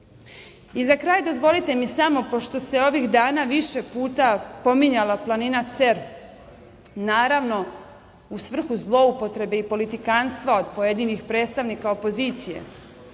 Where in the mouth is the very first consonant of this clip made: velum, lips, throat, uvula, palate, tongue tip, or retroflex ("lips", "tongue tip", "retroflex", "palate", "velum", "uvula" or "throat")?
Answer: tongue tip